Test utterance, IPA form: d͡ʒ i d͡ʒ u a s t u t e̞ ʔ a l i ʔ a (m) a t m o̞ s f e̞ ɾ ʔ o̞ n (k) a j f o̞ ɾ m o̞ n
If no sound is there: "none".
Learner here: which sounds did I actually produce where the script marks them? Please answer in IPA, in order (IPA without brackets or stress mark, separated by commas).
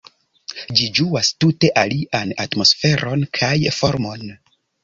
n, kʰ